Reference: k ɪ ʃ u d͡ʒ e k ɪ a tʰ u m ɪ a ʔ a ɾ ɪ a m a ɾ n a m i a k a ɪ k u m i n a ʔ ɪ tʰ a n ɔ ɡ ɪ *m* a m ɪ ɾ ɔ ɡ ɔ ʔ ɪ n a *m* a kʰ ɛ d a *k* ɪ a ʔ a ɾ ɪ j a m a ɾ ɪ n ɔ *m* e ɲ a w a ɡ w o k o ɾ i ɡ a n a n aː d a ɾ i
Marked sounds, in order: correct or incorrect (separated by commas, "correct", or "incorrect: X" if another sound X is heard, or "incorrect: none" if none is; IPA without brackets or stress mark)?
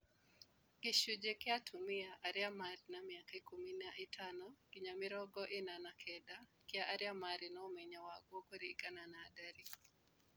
incorrect: ɲ, incorrect: n, correct, correct